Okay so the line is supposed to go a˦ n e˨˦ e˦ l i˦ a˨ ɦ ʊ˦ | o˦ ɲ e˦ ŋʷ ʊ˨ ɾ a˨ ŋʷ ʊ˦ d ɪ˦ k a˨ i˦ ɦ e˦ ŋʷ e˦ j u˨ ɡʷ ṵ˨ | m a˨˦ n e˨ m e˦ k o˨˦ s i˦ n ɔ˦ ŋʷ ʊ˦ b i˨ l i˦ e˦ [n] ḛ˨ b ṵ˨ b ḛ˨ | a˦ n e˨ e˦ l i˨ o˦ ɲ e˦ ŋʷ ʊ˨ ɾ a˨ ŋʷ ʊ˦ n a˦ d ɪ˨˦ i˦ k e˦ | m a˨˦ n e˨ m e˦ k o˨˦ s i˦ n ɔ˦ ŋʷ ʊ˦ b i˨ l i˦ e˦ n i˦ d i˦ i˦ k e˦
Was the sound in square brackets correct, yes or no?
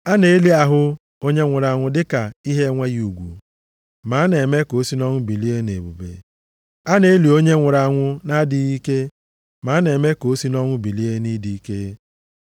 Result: yes